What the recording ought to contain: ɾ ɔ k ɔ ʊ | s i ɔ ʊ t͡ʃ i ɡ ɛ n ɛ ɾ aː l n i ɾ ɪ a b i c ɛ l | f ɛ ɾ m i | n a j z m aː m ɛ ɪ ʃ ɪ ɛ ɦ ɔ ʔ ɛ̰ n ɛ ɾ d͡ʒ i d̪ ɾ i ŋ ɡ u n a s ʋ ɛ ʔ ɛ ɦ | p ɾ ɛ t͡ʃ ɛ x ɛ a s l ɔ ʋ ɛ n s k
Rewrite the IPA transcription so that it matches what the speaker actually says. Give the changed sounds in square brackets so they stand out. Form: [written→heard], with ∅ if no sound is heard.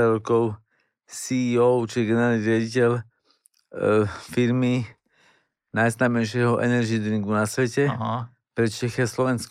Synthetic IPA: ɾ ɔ k ɔ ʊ | s i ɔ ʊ t͡ʃ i ɡ ɛ n ɛ ɾ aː l n i ɾ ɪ a [b→ɟ] i c ɛ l | f [ɛ→i] ɾ m i | n a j z [m→n] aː m ɛ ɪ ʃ ɪ ɛ ɦ ɔ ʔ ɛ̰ n ɛ ɾ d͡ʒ i d̪ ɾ i ŋ ɡ u n a s ʋ ɛ [ʔ→c] ɛ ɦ | p ɾ ɛ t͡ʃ ɛ x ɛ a s l ɔ ʋ ɛ n s k